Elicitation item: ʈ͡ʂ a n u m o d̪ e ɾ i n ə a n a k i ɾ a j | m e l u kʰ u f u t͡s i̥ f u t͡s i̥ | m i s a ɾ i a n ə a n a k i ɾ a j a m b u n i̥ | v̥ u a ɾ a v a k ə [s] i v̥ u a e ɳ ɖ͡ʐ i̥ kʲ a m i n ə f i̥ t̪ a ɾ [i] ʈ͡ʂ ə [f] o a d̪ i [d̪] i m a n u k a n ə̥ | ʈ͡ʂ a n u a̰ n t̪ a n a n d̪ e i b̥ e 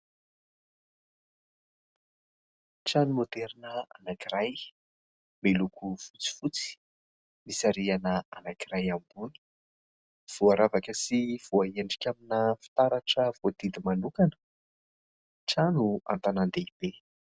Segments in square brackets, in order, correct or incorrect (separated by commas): correct, incorrect, incorrect, correct